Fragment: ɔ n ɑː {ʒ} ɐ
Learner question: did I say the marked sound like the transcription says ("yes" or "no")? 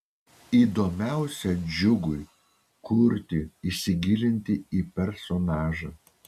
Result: yes